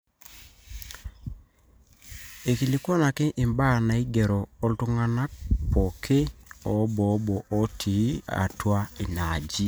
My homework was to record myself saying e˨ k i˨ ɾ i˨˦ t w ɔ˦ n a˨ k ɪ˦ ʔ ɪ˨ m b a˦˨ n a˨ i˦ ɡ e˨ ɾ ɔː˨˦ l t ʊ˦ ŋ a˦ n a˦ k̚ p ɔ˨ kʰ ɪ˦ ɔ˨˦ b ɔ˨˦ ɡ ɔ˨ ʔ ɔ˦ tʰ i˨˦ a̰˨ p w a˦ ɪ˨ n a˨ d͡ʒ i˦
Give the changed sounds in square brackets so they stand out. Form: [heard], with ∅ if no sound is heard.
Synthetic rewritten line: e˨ k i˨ [l] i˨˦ [k] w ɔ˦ n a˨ k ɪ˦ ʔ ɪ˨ m b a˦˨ n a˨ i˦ ɡ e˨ ɾ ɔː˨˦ l t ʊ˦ ŋ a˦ n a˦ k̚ p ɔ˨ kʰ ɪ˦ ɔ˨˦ b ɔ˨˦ [b] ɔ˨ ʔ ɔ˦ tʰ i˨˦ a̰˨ [t] w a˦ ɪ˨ n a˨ d͡ʒ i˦